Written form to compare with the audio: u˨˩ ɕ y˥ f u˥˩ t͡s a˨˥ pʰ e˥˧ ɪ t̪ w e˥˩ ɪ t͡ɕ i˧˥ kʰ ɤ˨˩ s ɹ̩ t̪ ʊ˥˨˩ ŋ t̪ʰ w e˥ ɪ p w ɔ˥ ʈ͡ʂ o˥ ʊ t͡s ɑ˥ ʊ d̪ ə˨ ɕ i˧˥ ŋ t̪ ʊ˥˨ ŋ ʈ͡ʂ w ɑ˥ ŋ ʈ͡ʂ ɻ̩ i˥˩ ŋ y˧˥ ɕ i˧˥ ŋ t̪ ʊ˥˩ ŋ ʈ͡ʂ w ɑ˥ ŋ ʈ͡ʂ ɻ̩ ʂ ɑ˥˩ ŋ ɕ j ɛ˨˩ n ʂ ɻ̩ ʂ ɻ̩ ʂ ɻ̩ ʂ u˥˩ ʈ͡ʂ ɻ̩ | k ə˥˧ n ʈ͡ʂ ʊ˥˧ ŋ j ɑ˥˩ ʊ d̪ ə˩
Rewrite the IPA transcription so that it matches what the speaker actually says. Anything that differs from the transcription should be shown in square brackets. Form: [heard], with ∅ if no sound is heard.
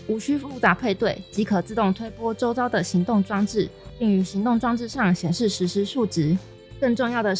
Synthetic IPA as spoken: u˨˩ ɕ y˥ f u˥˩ t͡s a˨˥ pʰ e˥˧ ɪ t̪ w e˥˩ ɪ t͡ɕ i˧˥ kʰ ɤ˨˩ [t͡s] ɹ̩ t̪ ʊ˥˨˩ ŋ t̪ʰ w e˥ ɪ p w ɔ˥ ʈ͡ʂ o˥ ʊ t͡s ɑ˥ ʊ d̪ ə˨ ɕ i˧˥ ŋ t̪ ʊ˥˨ ŋ ʈ͡ʂ w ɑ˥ ŋ ʈ͡ʂ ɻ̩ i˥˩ ŋ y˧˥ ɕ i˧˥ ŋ t̪ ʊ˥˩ ŋ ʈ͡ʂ w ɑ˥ ŋ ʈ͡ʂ ɻ̩ ʂ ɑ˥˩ ŋ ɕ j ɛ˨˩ n ʂ ɻ̩ ʂ ɻ̩ ʂ ɻ̩ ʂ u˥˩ ʈ͡ʂ ɻ̩ | k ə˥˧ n ʈ͡ʂ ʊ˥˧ ŋ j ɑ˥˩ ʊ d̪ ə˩